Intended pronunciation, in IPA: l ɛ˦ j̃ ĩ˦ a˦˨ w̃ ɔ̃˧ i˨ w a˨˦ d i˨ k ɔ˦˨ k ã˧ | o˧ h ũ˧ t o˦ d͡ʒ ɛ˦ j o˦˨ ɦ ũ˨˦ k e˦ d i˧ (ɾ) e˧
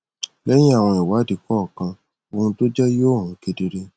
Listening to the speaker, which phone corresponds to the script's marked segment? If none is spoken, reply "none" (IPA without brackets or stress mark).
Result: ɾ